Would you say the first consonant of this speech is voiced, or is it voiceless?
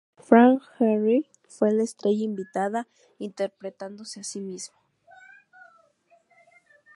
voiceless